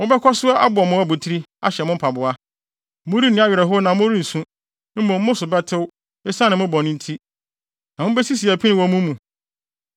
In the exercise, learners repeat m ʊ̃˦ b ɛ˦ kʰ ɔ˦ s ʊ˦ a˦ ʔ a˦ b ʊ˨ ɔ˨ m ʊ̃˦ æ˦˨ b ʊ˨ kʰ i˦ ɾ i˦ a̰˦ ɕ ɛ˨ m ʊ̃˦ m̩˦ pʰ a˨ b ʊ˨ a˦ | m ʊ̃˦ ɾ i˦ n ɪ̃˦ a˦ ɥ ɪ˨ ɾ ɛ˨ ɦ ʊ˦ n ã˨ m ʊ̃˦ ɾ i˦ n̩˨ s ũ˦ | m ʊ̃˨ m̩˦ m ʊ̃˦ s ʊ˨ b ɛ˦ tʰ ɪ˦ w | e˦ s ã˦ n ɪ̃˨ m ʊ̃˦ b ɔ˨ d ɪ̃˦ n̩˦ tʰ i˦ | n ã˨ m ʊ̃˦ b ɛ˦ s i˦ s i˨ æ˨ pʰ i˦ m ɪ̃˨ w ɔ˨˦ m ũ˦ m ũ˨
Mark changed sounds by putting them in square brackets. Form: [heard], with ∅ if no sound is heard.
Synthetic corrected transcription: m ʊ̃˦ b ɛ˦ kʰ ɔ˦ s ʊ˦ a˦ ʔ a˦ b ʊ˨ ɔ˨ m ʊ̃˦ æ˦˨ b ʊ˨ [tʰ] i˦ ɾ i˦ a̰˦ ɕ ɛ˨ m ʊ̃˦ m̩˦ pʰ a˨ b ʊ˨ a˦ | m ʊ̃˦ ɾ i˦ n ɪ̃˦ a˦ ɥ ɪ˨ ɾ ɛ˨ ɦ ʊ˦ n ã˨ m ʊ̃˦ ɾ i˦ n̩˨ s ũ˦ | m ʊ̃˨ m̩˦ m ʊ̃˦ s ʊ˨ b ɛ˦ tʰ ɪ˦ w | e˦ s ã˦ n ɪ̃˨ m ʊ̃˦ b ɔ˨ [n] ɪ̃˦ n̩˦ tʰ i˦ | n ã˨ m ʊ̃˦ b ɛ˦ s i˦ s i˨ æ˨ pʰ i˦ [n] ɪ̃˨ w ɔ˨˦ m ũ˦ m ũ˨